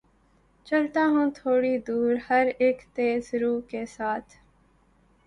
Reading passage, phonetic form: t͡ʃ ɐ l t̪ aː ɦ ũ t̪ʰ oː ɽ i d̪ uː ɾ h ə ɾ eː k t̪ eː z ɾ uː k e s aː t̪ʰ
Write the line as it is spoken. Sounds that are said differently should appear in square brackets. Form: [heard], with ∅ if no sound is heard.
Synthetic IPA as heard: t͡ʃ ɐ l t̪ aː ɦ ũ t̪ʰ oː ɽ i d̪ uː ɾ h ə ɾ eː k t̪ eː z ɾ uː k e s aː t̪ʰ